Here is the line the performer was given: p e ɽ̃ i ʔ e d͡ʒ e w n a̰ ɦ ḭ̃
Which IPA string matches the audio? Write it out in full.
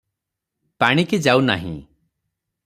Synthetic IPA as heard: p a ɽ̃ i k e d͡ʒ a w n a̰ ɦ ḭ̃